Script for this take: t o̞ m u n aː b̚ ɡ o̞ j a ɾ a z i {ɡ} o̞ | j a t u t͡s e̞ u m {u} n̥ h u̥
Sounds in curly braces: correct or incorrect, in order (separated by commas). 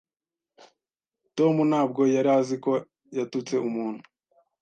incorrect, incorrect